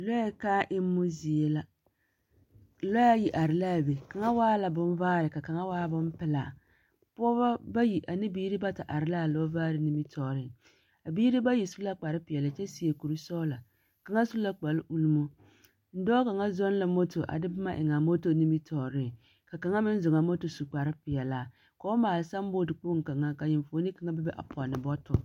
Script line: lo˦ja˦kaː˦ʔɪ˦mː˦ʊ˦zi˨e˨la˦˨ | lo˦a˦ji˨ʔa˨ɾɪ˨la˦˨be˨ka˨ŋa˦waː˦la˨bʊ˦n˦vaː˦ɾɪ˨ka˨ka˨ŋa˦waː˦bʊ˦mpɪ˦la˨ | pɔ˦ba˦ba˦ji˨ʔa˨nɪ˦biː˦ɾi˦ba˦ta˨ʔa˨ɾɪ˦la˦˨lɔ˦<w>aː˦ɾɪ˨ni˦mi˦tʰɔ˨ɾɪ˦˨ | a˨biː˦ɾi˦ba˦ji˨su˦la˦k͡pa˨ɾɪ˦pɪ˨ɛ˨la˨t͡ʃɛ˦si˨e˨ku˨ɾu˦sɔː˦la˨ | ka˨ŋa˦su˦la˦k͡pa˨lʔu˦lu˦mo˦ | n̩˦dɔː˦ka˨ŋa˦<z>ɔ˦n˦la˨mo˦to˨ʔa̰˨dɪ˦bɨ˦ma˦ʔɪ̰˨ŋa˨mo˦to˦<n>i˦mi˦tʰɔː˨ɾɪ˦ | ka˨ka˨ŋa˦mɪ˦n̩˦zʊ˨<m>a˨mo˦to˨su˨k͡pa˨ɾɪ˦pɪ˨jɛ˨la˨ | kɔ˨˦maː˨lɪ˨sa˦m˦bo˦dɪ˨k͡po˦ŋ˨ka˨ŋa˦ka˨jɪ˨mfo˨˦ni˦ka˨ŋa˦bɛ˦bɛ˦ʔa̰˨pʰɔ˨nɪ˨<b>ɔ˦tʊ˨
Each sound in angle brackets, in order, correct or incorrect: incorrect: v, correct, correct, incorrect: ŋ, correct

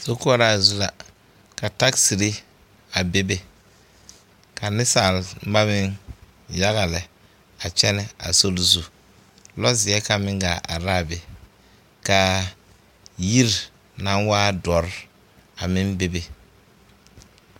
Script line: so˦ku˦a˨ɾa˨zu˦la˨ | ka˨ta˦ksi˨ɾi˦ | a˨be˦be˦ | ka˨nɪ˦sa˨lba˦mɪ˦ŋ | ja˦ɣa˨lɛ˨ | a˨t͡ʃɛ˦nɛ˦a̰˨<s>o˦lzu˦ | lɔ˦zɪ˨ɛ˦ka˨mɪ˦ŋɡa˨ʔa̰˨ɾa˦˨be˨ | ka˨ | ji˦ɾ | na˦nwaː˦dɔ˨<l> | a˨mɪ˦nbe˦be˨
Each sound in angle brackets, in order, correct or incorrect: correct, incorrect: ɾ

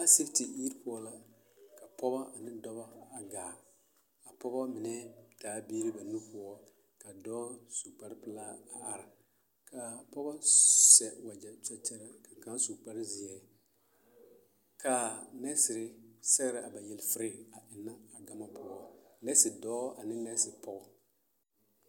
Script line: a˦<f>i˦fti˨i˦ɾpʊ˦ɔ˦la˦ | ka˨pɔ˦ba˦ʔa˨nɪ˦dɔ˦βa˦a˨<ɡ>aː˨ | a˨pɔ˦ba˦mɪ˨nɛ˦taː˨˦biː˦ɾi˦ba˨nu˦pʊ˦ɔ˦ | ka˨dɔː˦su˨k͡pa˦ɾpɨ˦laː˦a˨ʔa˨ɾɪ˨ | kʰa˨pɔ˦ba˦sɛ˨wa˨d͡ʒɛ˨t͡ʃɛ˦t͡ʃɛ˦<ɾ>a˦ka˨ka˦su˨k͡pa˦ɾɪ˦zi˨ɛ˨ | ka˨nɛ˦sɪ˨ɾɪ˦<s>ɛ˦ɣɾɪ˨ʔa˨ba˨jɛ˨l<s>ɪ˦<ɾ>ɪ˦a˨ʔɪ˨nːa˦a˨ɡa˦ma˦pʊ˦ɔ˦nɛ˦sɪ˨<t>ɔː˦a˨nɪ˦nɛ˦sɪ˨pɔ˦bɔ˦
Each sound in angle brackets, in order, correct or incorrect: incorrect: s, correct, correct, correct, incorrect: f, correct, incorrect: d

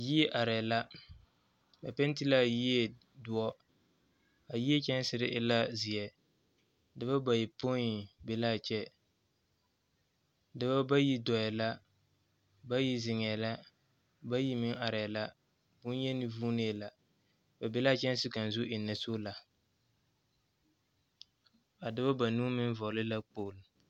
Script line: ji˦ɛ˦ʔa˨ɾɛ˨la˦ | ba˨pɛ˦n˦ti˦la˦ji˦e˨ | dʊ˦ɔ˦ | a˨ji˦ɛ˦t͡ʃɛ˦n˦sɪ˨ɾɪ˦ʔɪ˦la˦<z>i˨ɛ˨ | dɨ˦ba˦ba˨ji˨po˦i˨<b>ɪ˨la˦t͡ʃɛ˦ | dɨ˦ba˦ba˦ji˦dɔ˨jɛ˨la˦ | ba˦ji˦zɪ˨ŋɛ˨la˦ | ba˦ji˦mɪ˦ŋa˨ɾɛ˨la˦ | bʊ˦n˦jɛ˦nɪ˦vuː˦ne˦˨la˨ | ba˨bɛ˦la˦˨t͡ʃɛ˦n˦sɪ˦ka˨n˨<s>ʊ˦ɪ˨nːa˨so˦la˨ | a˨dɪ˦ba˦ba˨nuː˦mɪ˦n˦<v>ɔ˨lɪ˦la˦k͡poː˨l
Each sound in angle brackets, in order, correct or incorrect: correct, correct, incorrect: z, correct

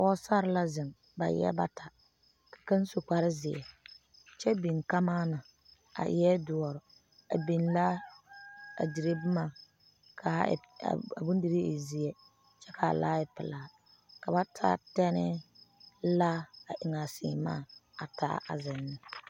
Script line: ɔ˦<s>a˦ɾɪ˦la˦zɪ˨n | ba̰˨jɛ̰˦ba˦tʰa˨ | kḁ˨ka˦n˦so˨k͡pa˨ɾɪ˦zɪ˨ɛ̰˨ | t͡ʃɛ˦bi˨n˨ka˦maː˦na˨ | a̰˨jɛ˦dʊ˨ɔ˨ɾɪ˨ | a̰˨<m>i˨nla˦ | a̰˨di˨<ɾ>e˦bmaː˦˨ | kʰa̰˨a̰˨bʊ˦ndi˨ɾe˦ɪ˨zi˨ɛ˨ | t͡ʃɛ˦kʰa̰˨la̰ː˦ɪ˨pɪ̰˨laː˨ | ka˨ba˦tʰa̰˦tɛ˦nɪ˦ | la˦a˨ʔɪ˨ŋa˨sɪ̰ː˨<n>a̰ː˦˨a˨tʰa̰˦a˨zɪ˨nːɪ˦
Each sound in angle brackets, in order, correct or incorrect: correct, incorrect: b, correct, incorrect: m

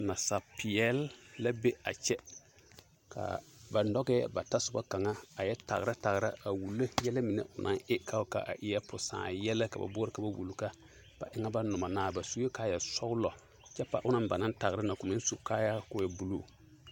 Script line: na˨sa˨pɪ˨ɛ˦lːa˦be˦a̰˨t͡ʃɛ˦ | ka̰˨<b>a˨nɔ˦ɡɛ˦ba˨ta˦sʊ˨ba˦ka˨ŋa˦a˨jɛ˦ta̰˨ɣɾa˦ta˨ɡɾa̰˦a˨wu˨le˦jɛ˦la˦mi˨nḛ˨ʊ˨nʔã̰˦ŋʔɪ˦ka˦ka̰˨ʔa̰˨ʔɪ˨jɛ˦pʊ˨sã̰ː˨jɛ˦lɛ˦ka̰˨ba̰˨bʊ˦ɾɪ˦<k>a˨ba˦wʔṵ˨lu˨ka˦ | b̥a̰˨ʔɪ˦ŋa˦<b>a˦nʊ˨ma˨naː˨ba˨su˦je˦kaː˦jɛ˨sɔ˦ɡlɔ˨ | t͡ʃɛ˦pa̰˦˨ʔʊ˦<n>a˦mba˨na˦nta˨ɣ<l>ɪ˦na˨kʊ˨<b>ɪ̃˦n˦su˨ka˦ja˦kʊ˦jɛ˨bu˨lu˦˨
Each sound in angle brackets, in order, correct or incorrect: correct, correct, correct, correct, incorrect: ɾ, incorrect: m

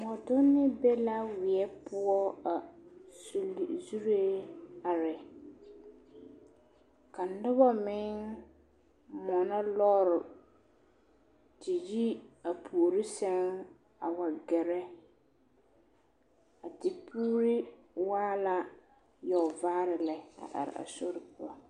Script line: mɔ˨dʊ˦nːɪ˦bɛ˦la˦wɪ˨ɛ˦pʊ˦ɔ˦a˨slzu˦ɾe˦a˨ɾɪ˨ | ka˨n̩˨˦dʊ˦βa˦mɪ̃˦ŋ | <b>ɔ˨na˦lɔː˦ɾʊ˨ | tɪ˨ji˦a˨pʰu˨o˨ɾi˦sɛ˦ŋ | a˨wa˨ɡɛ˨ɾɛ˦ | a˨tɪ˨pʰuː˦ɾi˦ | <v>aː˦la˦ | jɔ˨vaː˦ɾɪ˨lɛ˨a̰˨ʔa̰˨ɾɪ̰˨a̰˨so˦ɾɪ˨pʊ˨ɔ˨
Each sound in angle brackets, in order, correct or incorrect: incorrect: m, incorrect: w

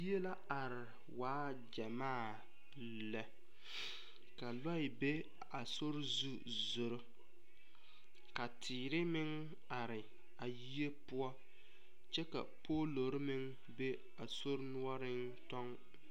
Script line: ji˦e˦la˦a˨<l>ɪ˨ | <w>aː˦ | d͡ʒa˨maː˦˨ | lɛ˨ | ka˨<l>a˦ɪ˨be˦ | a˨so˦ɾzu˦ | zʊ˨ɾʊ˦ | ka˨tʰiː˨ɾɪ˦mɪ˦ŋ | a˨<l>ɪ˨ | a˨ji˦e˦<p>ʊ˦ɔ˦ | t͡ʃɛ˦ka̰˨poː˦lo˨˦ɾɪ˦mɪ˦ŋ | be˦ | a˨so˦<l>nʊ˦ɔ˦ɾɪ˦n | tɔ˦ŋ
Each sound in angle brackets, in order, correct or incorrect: incorrect: ɾ, correct, correct, incorrect: ɾ, correct, incorrect: ɾ

